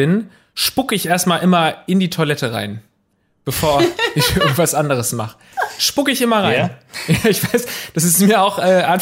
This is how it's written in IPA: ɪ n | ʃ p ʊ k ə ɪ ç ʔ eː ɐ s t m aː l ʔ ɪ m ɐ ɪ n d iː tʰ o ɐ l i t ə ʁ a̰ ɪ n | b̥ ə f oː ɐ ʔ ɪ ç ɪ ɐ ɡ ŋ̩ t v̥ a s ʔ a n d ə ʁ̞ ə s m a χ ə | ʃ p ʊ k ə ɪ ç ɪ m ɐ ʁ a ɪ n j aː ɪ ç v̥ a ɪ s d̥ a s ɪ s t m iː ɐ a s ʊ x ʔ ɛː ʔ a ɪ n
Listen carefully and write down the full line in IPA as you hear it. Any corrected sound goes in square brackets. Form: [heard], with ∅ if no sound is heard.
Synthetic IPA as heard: ɪ n | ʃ p ʊ k ə ɪ ç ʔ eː ɐ s t m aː l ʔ ɪ m ɐ ɪ n d iː tʰ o ɐ l [ɛ] t ə ʁ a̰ ɪ n | b̥ ə f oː ɐ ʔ ɪ ç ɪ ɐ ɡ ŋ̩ t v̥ a s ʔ a n d ə ʁ̞ ə s m a χ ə | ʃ p ʊ k ə ɪ ç ɪ m ɐ ʁ a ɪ n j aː ɪ ç v̥ a ɪ s d̥ a s ɪ s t m iː ɐ a [∅] ʊ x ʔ ɛː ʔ a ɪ n